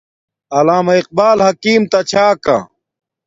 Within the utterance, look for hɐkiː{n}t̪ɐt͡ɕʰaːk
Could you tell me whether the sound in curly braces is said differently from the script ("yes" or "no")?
yes